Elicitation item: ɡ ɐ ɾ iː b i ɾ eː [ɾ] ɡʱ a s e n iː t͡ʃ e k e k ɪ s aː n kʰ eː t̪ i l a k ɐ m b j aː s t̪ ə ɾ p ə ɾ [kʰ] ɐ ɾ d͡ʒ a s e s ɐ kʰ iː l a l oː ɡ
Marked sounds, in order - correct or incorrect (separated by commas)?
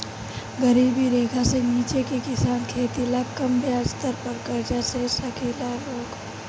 incorrect, incorrect